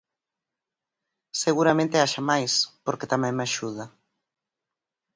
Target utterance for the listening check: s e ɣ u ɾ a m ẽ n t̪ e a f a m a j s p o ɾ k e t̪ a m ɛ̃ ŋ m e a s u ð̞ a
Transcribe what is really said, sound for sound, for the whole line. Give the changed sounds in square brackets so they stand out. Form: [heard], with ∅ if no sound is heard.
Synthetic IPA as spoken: s e ɣ u ɾ a m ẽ n t̪ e a [ʃ] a m a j s p o ɾ k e t̪ a m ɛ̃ ŋ m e a [ʃ] u ð̞ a